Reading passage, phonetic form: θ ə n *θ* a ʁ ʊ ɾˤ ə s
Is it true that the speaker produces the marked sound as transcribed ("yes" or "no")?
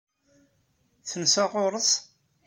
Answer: no